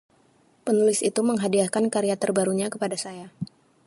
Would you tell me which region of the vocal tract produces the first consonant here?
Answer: lips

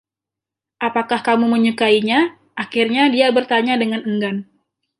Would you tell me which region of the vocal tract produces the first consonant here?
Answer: throat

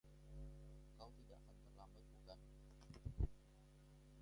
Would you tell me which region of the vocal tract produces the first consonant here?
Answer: velum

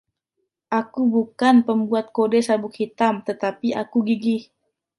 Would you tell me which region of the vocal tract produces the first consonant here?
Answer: throat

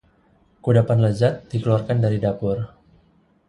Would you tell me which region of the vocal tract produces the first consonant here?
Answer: velum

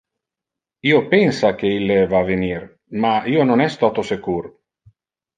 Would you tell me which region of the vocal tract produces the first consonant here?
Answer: lips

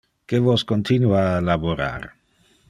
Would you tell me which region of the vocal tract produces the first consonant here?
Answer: velum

